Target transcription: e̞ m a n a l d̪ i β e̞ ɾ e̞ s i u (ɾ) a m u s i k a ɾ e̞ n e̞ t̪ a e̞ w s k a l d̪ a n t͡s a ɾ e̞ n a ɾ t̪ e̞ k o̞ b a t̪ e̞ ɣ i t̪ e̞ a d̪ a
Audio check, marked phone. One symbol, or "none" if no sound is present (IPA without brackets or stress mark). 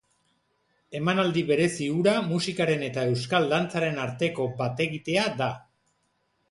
ɾ